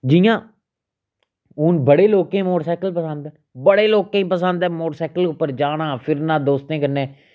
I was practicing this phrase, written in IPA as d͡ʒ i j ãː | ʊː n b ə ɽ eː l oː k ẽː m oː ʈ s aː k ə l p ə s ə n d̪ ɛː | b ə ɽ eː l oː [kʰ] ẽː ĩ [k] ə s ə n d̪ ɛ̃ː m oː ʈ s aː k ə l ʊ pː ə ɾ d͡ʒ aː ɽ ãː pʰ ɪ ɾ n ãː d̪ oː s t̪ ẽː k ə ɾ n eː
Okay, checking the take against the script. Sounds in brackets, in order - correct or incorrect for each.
incorrect: k, incorrect: p

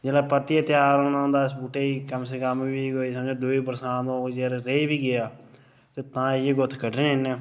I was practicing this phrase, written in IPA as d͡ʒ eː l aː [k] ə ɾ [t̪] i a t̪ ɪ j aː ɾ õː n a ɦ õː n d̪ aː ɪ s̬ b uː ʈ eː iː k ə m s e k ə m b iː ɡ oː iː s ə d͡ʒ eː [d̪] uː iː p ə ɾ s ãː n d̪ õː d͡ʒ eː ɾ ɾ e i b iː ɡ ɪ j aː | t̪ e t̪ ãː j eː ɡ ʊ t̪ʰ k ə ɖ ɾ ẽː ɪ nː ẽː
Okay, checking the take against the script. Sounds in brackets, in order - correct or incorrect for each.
incorrect: p, correct, correct

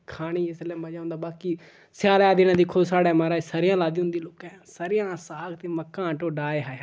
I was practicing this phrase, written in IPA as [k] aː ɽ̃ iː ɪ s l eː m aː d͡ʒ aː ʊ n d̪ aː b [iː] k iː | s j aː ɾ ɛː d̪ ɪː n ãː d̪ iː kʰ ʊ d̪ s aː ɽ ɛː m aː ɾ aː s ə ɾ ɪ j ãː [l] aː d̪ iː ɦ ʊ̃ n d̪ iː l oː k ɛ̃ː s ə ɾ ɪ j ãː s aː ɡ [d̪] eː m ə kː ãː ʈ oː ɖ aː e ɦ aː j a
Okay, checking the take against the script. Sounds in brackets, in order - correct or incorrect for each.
incorrect: kʰ, incorrect: aː, correct, incorrect: t̪

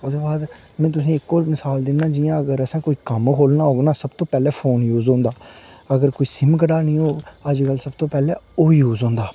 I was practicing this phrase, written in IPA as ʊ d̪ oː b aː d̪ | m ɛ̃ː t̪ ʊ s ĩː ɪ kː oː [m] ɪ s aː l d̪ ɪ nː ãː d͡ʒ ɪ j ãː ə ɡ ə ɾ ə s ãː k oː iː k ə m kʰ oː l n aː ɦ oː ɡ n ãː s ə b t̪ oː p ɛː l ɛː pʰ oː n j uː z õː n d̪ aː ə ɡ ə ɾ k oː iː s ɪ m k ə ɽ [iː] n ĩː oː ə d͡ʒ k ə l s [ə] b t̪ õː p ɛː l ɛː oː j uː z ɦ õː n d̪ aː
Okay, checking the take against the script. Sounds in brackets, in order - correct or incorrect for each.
correct, incorrect: aː, correct

